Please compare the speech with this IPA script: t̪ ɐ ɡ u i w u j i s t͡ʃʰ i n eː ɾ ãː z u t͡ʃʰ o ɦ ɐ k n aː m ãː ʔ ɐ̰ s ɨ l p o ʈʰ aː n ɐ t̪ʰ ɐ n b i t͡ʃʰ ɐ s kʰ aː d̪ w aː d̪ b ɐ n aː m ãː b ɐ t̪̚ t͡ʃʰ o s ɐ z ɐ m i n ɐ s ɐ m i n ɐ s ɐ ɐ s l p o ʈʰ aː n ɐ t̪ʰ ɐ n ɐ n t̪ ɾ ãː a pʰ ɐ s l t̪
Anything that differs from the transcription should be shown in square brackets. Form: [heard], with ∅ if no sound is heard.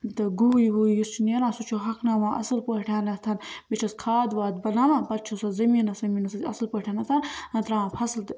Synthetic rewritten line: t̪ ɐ ɡ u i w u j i s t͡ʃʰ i n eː ɾ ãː [s] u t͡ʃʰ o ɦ ɐ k n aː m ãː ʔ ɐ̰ s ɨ l p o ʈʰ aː n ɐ t̪ʰ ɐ n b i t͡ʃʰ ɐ s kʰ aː d̪ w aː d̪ b ɐ n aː m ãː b ɐ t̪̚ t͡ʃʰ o s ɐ z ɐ m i n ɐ s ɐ m i n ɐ s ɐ ɐ s l p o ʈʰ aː n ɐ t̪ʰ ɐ n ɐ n t̪ ɾ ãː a pʰ ɐ s l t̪